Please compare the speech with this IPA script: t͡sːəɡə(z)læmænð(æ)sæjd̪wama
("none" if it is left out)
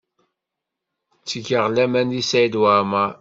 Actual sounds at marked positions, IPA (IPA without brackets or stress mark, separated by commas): ʁ, i